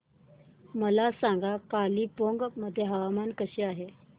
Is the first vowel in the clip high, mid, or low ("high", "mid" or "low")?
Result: mid